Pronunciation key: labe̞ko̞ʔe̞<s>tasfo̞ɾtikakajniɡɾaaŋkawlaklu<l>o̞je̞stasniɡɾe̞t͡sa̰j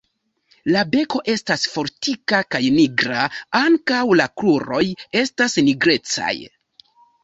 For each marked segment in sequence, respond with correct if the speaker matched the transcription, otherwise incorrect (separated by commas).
correct, incorrect